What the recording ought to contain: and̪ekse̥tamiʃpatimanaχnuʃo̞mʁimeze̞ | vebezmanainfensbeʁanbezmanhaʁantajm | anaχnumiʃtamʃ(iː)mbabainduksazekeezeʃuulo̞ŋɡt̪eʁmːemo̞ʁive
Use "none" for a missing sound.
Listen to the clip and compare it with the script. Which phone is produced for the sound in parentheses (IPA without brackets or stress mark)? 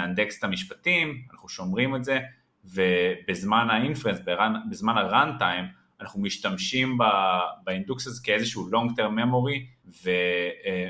i